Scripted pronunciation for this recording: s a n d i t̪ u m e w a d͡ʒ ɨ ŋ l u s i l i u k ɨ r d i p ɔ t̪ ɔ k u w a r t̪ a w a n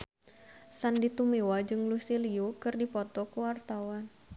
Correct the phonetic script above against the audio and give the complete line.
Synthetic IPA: s a n d i t̪ u m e w a d͡ʒ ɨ ŋ l u s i l i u k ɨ r d i p ɔ t̪ ɔ k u w a r t̪ a w a n